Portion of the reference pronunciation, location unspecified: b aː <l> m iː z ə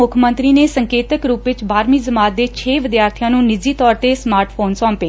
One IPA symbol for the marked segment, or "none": ɾ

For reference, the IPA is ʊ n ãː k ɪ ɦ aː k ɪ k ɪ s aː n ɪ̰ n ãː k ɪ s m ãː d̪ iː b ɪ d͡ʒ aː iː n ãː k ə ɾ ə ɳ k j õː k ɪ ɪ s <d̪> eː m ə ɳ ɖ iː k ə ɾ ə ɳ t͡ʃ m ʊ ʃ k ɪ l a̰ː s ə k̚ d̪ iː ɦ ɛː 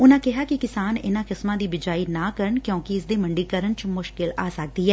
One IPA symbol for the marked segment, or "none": d̪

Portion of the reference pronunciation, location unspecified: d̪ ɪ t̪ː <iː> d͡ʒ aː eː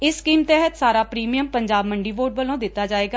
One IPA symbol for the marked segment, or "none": aː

